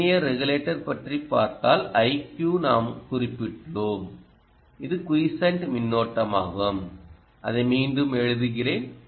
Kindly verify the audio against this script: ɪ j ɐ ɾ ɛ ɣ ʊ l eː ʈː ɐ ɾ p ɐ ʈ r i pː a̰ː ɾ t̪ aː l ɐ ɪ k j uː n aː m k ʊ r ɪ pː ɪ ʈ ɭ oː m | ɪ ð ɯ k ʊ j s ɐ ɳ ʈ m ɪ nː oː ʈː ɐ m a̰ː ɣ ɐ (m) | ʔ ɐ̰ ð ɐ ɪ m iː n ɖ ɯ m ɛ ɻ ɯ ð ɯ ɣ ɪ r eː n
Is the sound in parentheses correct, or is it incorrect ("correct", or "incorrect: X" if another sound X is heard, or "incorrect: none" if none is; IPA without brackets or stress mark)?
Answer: correct